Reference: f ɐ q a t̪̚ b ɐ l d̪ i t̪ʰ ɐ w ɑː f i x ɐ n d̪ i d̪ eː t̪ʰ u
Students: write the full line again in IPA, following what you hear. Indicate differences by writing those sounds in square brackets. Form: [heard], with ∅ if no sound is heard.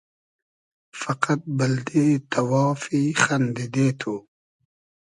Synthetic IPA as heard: f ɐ q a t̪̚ b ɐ l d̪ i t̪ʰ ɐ w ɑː f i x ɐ n d̪ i d̪ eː t̪ʰ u